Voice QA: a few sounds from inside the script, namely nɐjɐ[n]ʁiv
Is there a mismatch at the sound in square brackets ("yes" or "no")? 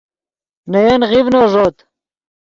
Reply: no